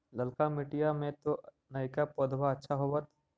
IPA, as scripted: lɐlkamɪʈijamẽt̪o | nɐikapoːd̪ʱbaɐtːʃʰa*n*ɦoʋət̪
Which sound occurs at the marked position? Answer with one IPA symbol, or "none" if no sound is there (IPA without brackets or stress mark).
none